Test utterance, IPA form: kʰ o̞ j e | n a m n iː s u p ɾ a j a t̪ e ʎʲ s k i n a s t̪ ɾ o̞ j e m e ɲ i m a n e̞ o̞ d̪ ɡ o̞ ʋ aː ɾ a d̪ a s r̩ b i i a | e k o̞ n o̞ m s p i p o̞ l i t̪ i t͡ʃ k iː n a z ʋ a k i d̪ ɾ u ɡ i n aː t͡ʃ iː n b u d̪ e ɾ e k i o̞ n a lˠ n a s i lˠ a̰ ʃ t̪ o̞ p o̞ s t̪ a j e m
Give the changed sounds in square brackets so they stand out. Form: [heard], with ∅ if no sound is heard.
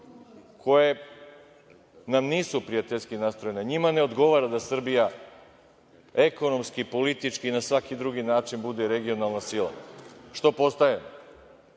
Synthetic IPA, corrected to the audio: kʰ o̞ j e | n a m n iː s u p ɾ [i] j a t̪ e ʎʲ s k i n a s t̪ ɾ o̞ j e [n] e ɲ i m a n e̞ o̞ d̪ ɡ o̞ ʋ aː ɾ a d̪ a s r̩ b i [j] a | e k o̞ n o̞ m s [k] i p o̞ l i t̪ i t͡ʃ k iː n a [s] ʋ a k i d̪ ɾ u ɡ i n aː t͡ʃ [i] n b u d̪ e ɾ e [ɡ] i o̞ n a lˠ n a s i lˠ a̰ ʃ t̪ o̞ p o̞ s t̪ a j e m